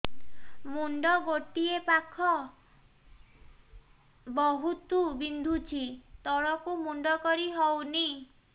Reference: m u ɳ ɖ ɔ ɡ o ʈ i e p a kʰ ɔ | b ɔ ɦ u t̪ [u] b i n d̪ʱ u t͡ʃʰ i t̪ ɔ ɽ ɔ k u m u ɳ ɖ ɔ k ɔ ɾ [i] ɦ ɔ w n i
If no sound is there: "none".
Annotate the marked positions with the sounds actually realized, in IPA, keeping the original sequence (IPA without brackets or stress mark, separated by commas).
u, i